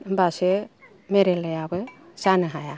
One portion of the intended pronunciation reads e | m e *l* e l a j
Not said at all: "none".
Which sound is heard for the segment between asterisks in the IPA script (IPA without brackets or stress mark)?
ɾ